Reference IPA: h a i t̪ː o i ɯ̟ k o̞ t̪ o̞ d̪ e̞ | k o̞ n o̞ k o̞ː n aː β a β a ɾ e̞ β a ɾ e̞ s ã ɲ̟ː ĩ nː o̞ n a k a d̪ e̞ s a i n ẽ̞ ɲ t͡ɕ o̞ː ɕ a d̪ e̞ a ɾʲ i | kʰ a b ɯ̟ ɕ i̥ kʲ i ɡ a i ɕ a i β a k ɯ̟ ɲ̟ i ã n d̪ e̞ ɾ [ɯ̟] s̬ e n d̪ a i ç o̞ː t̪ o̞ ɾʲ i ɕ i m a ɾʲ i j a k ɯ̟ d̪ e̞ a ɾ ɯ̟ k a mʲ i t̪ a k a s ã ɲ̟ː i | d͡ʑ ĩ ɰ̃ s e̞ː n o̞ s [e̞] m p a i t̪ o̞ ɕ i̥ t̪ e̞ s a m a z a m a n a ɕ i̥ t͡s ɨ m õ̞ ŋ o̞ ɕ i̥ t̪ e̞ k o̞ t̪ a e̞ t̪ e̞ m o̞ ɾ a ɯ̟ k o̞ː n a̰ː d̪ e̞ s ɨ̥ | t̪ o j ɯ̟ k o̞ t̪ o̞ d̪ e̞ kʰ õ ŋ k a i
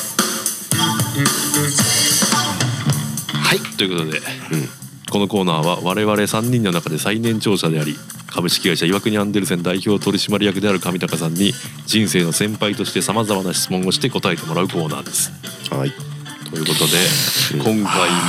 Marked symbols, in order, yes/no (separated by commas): yes, no